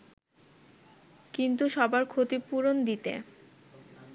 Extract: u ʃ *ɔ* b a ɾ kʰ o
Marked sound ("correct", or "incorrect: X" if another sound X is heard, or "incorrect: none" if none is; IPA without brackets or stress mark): correct